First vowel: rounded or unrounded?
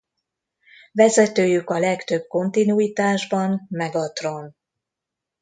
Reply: unrounded